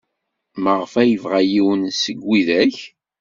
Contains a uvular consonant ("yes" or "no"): yes